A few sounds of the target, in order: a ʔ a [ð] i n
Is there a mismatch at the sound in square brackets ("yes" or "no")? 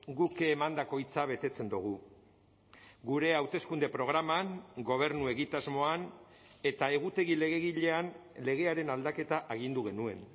yes